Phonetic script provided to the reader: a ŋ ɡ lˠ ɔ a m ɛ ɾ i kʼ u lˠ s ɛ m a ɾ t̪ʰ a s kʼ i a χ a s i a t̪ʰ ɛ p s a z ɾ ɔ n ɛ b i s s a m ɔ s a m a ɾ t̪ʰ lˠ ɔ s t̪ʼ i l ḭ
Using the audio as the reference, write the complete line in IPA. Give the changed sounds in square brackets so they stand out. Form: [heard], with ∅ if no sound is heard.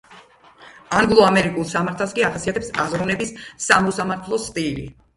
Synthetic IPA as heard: a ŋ ɡ lˠ ɔ a m ɛ ɾ i kʼ u lˠ s [a] m a ɾ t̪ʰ a s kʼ i a χ a s i a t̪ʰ ɛ p s a z ɾ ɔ n ɛ b i s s a m ɔ s a m a ɾ t̪ʰ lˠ ɔ s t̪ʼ i l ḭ